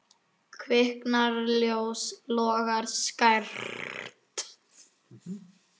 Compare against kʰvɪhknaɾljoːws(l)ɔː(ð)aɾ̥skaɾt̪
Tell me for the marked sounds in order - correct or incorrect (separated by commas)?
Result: correct, incorrect